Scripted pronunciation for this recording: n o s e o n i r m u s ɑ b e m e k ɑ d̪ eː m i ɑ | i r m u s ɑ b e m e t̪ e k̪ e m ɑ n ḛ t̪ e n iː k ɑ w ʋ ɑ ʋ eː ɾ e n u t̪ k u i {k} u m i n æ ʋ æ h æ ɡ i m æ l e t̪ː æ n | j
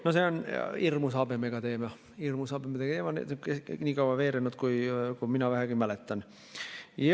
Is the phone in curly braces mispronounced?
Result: no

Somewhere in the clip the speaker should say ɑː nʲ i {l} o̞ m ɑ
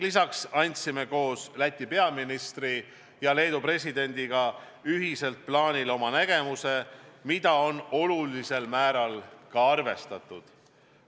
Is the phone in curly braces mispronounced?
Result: no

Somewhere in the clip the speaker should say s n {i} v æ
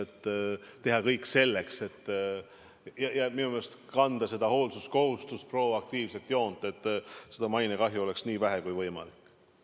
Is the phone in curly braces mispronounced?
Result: yes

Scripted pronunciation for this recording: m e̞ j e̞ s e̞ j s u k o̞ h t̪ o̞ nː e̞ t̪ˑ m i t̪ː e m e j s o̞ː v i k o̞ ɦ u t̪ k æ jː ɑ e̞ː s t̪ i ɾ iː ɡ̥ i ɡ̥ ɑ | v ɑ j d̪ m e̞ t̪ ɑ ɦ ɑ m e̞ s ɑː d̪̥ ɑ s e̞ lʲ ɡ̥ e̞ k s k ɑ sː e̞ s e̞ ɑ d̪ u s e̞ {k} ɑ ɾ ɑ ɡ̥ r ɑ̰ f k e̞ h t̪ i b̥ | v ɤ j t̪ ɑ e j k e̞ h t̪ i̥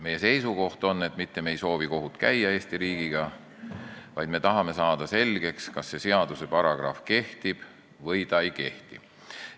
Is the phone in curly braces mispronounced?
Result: yes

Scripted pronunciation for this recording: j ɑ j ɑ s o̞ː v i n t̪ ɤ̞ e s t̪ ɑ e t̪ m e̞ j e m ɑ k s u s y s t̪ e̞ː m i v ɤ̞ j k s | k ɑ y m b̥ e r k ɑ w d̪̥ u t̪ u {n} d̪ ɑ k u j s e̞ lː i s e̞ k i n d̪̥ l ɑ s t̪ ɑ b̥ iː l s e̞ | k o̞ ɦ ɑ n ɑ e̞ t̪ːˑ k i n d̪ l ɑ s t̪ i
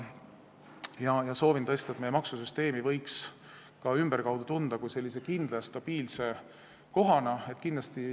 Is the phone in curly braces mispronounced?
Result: no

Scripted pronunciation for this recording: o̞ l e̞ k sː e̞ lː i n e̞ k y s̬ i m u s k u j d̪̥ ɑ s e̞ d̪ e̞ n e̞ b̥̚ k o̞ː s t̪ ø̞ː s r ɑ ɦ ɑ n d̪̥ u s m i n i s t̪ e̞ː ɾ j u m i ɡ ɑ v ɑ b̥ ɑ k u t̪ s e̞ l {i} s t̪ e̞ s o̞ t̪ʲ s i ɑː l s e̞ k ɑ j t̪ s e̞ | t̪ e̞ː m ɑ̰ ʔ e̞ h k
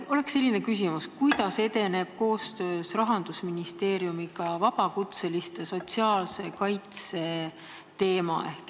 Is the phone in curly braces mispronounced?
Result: no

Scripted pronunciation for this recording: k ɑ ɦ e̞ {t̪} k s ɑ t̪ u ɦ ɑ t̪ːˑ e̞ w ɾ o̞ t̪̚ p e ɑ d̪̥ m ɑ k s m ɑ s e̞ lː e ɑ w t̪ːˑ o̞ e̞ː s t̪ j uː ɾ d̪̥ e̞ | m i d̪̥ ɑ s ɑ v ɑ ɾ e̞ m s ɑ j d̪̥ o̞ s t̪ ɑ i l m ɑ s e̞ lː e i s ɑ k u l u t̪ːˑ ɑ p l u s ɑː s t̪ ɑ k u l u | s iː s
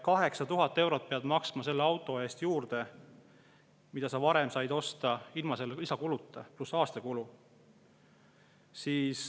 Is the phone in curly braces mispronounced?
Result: yes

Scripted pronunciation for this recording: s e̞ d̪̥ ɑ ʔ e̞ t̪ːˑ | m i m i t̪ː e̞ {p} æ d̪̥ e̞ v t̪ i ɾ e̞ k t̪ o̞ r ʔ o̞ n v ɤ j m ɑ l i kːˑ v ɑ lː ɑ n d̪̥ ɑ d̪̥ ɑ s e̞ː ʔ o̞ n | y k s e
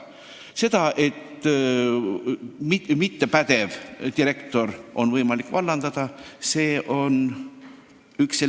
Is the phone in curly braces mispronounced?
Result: no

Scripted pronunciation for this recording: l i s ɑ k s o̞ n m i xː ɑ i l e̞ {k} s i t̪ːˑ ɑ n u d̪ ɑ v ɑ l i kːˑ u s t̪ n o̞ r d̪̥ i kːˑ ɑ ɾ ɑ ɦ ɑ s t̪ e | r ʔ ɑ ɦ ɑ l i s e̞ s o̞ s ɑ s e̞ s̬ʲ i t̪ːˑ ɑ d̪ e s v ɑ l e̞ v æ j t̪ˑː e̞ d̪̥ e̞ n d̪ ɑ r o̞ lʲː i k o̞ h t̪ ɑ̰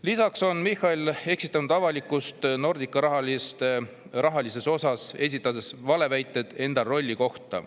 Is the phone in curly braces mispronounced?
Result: no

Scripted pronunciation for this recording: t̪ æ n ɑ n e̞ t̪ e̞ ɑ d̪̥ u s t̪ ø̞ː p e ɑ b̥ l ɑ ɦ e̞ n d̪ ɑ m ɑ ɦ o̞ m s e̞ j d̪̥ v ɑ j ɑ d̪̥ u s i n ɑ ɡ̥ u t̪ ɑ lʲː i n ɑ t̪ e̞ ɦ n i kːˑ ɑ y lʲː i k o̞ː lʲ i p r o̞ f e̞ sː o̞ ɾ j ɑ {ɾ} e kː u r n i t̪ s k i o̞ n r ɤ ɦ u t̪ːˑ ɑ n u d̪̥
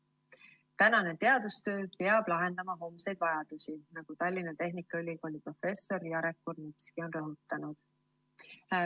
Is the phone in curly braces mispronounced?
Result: no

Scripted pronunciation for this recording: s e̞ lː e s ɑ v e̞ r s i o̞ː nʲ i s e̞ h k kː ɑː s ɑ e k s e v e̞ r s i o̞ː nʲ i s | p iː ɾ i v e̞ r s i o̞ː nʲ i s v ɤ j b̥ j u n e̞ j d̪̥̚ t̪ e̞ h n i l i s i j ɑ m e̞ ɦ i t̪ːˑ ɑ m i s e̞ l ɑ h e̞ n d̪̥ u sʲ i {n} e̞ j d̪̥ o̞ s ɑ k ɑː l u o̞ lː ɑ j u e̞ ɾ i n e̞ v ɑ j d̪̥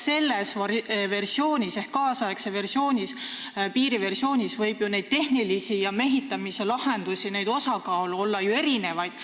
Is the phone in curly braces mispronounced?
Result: no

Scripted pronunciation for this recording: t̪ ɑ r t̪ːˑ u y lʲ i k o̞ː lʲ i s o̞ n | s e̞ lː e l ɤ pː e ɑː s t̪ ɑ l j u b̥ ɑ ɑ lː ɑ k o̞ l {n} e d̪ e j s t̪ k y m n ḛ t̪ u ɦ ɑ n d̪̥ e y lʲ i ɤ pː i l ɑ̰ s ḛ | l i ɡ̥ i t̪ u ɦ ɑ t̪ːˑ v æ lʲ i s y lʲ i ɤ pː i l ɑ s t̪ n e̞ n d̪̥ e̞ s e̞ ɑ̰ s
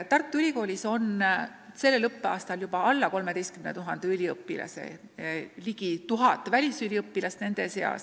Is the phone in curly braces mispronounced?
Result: yes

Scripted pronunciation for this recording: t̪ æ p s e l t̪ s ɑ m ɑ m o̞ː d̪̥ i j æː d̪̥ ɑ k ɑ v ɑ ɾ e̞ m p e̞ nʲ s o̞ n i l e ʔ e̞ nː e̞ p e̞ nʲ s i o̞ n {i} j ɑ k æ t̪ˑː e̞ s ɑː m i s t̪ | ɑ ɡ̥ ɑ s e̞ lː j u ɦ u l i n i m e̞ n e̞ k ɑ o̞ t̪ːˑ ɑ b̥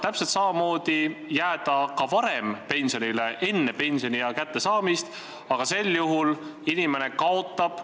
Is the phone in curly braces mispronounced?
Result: no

